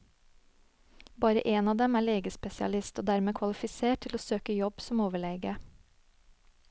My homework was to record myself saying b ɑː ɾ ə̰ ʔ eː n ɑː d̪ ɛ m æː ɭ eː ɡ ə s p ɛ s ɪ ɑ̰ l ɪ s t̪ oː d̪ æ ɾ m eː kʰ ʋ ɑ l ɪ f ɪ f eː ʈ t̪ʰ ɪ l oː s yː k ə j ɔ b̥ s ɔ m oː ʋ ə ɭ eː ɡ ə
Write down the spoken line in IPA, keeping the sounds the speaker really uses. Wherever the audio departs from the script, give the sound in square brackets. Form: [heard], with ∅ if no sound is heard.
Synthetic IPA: b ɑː ɾ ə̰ ʔ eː n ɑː d̪ ɛ m æː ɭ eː ɡ ə s p ɛ s ɪ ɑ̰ l ɪ s t̪ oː d̪ æ ɾ m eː kʰ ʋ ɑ l ɪ f ɪ [s] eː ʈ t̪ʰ ɪ l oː s [øː] k ə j ɔ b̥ s ɔ m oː ʋ ə ɭ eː ɡ ə